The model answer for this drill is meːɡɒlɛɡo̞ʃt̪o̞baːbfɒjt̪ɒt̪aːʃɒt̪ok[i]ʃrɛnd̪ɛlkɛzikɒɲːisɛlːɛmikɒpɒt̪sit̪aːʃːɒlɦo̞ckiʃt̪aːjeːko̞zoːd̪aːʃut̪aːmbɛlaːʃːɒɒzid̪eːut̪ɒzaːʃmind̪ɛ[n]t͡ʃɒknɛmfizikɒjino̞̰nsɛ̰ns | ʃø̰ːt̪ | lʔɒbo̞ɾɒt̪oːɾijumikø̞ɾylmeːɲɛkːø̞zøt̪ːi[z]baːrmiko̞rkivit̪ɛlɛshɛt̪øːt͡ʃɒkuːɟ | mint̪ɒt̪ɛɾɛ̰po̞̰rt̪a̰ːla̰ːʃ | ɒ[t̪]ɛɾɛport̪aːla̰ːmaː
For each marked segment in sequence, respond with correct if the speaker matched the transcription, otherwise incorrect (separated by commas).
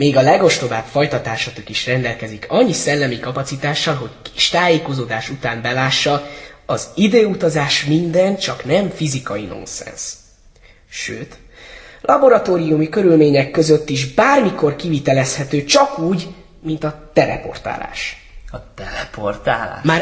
correct, correct, incorrect, correct